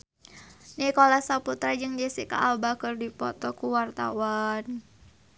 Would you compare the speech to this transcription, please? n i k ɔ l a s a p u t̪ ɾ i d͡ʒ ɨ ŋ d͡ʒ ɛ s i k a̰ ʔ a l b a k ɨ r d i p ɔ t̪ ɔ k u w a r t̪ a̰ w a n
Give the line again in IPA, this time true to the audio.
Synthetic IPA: n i k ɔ l a s a p u t̪ ɾ a d͡ʒ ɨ ŋ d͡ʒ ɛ s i k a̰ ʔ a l b a k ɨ r d i p ɔ t̪ ɔ k u w a r t̪ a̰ w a n